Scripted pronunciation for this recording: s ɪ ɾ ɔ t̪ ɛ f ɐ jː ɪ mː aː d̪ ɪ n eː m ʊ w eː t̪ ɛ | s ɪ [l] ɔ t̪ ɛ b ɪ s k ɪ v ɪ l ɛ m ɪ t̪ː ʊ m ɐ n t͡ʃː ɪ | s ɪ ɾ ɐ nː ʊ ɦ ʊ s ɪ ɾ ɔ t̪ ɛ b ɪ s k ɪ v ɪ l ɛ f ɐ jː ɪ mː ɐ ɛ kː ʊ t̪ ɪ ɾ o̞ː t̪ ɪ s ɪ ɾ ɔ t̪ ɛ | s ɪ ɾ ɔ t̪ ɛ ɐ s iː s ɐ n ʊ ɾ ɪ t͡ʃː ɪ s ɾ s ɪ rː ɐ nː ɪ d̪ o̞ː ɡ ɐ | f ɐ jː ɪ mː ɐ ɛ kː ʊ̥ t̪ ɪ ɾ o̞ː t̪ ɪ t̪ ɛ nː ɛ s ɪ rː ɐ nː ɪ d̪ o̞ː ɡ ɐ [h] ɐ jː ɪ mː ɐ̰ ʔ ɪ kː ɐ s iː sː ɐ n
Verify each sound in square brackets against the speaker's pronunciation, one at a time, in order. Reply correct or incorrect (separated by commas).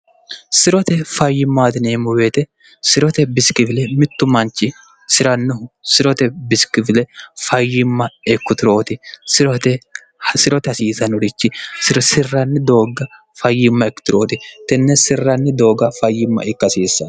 incorrect, incorrect